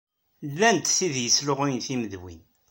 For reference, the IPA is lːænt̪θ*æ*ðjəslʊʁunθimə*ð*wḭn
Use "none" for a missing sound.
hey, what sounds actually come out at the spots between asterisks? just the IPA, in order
i, ð

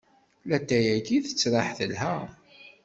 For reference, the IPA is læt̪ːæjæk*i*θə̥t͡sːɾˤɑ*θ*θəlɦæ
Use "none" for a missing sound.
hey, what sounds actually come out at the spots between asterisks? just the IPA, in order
i, ħ

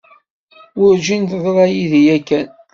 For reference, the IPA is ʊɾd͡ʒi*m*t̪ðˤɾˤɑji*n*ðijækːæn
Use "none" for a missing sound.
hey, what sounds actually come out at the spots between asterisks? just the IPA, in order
n, none

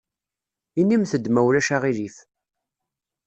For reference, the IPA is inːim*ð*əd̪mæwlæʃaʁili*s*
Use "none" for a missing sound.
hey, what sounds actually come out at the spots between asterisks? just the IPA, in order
θ, f

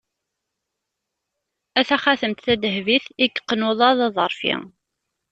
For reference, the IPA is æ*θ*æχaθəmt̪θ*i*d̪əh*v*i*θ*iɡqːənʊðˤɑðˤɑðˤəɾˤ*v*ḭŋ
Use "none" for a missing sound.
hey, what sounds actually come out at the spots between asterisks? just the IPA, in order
θ, æ, v, θ, f

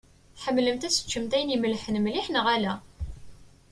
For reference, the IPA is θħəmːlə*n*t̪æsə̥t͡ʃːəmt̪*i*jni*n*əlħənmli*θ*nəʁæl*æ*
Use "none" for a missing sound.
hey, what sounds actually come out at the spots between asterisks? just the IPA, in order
m, æ, m, ħ, æ

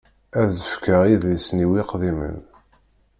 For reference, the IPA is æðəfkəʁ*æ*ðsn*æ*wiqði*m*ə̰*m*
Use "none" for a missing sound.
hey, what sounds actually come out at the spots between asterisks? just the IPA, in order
i, i, m, n

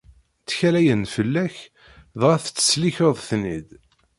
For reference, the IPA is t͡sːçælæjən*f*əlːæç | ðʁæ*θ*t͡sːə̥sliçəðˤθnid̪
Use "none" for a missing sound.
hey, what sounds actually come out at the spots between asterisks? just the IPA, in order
f, θ

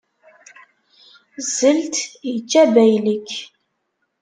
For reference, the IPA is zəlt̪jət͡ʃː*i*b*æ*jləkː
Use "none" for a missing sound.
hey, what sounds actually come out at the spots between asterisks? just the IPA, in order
æ, æ

